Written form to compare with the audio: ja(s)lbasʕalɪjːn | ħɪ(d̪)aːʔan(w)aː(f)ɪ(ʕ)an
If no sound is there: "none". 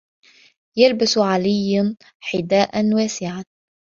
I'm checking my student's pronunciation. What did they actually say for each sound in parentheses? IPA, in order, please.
none, d̪, w, s, ʕ

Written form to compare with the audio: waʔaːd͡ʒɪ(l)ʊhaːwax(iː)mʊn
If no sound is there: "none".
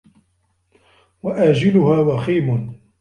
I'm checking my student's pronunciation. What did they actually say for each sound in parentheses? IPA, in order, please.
l, iː

